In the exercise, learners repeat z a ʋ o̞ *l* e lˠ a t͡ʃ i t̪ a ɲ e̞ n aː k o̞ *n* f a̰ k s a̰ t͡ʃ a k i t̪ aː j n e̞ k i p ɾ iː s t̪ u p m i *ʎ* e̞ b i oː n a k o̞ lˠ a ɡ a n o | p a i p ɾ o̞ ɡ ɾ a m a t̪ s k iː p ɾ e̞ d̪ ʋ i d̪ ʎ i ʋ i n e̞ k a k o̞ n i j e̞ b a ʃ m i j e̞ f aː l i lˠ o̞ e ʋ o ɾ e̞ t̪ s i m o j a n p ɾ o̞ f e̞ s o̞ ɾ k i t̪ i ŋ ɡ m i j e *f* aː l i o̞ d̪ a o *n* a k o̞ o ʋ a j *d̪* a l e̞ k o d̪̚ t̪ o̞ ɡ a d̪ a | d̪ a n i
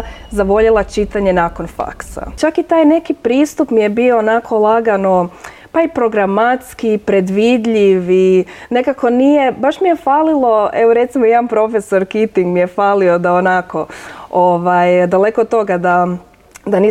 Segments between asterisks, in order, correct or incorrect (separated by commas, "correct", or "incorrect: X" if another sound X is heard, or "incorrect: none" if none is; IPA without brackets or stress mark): incorrect: ʎ, correct, incorrect: j, correct, correct, correct